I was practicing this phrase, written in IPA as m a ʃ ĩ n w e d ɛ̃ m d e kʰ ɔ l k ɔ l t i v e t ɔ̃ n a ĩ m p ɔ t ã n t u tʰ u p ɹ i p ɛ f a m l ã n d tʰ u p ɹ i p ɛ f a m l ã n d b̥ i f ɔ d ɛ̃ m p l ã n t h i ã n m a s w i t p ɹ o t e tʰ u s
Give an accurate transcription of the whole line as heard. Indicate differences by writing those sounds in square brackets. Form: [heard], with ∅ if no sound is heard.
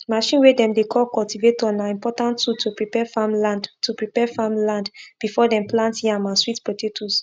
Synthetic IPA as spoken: m a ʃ ĩ n w e d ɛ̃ m d e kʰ ɔ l k ɔ l t i v e t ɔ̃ n a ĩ m p ɔ t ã n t u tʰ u p ɹ i p ɛ f a m l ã n d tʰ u p ɹ i p ɛ f a m l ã n d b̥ i f ɔ d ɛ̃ m p l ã n t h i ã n m a s w i t p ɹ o t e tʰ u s